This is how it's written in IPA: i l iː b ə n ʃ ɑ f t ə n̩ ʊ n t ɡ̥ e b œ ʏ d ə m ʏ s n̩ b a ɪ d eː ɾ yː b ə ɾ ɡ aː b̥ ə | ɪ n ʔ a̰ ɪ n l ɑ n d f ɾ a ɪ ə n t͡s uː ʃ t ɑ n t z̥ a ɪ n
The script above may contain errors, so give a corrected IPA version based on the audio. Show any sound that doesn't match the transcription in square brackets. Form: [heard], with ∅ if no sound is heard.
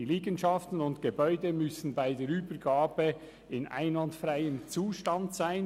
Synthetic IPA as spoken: i l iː [ɡ] ə n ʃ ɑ f t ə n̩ ʊ n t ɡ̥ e b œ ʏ d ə m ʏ s n̩ b a ɪ d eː ɾ yː b ə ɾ ɡ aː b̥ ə | ɪ n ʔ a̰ ɪ n l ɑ n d f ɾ a ɪ ə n t͡s uː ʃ t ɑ n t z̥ a ɪ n